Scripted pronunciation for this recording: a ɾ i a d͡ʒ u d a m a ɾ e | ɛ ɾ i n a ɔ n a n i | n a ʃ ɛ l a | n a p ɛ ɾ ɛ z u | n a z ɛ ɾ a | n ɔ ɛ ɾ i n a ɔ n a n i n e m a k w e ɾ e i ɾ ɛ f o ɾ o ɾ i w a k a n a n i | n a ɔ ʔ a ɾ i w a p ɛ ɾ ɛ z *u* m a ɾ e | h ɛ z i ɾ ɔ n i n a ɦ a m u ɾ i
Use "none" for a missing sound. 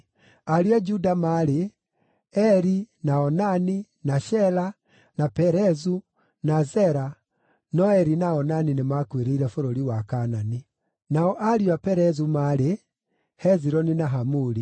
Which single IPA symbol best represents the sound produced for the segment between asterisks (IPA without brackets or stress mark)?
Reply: u